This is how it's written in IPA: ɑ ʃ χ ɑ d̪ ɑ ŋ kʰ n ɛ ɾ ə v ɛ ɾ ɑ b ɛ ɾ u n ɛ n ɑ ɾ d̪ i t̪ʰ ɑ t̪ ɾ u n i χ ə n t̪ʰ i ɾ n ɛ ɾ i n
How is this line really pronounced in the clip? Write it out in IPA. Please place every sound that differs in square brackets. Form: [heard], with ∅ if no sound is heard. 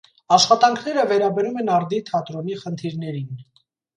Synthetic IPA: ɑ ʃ χ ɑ [t̪] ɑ ŋ kʰ n ɛ ɾ ə v ɛ ɾ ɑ b ɛ ɾ u [m] ɛ n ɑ ɾ d̪ i t̪ʰ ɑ t̪ ɾ [ɔ] n i χ ə n t̪ʰ i ɾ n ɛ ɾ i n